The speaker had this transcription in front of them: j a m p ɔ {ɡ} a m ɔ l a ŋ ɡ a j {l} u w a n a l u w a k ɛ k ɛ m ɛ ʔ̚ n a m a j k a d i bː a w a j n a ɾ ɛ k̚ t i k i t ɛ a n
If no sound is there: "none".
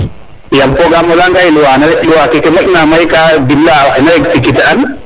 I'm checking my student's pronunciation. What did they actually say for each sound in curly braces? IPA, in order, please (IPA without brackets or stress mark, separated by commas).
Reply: ɡ, l